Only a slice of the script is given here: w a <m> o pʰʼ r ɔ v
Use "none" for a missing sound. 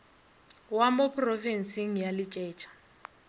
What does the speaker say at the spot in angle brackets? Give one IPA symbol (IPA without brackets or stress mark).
m